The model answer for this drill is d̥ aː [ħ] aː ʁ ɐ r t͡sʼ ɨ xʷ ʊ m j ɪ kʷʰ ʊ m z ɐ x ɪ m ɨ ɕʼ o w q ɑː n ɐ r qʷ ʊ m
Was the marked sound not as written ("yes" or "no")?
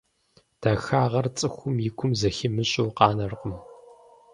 yes